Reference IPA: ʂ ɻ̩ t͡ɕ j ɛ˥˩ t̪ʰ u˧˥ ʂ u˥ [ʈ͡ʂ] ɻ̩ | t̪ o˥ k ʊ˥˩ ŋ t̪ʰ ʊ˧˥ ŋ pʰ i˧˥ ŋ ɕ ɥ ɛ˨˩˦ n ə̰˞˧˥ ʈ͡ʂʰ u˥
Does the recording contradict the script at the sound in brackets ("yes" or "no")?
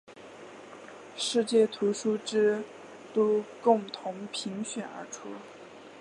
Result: no